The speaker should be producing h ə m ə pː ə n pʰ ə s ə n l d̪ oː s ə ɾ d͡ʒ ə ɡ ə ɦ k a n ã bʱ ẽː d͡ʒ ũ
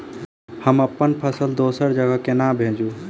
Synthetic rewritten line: h ə m ə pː ə n pʰ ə s ə l d̪ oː s ə ɾ d͡ʒ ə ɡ ə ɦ k e n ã bʱ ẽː d͡ʒ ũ